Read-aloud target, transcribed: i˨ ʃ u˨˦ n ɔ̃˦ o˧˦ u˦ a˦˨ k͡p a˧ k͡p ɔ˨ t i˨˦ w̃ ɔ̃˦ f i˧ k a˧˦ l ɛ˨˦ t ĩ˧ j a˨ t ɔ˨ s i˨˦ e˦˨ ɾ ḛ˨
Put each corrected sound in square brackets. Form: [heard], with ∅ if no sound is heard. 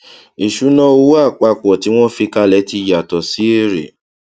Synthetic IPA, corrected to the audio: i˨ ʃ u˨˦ n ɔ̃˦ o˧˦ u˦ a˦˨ k͡p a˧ k͡p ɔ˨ t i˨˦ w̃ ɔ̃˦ f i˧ k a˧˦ l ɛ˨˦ t [i˧] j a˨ t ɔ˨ s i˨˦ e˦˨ ɾ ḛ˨